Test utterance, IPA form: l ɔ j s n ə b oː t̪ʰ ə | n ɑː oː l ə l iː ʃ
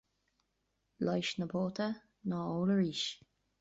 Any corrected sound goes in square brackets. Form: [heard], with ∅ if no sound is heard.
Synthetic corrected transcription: l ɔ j [ʃ] n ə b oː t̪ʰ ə | n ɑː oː l ə [ɹ] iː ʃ